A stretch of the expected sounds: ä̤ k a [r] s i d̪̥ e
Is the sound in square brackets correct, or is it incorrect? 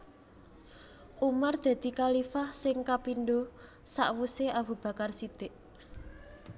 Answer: correct